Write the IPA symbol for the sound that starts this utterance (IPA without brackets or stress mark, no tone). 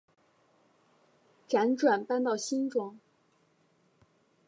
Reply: ʈ͡ʂ